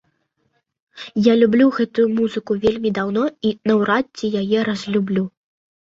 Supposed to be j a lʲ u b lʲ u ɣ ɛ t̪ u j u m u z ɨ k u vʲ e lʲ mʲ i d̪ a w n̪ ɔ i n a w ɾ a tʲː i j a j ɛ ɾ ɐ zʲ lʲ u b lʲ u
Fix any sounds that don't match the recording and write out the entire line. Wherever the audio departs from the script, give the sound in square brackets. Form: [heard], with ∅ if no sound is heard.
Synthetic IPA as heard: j a lʲ u b lʲ u ɣ ɛ t̪ u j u m u z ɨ k u vʲ e lʲ mʲ i d̪ a w n̪ ɔ i n [ɐ] w ɾ a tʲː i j a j ɛ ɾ ɐ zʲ lʲ u b lʲ u